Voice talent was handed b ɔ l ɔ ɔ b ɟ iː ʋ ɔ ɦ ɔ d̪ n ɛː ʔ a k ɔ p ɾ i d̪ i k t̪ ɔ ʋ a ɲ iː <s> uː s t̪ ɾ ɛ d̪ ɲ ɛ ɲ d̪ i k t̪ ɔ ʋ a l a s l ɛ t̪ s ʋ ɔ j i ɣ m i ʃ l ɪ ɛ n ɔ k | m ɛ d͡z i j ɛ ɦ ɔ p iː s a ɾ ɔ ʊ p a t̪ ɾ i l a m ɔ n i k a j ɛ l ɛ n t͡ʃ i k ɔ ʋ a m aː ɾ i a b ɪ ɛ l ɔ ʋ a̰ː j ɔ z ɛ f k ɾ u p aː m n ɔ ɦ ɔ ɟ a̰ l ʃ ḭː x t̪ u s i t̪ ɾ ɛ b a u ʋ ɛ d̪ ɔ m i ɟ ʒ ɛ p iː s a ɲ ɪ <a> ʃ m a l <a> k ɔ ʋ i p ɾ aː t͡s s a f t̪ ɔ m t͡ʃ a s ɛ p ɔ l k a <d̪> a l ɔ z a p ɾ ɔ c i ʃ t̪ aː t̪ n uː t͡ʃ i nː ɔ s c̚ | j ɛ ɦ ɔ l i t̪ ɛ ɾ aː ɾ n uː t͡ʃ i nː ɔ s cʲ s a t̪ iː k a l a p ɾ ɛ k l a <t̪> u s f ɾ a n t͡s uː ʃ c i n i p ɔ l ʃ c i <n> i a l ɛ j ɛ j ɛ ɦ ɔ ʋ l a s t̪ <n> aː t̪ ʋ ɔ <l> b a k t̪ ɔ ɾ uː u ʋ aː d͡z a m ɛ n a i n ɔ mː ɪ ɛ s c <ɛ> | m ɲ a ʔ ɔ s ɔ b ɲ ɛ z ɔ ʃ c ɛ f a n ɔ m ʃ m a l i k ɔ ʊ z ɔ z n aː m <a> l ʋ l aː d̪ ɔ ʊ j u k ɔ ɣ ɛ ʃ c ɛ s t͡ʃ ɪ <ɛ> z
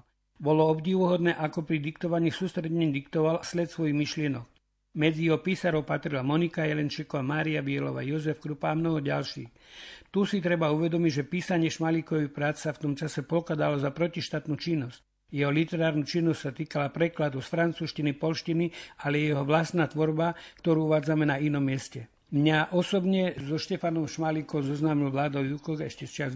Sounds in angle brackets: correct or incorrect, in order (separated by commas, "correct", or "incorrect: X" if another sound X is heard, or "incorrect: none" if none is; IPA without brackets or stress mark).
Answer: correct, incorrect: ɛ, incorrect: i, correct, incorrect: d̪, correct, correct, incorrect: ɾ, correct, incorrect: i, incorrect: a